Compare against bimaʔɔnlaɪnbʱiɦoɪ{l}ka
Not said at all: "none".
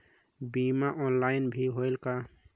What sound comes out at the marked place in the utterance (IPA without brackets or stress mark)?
l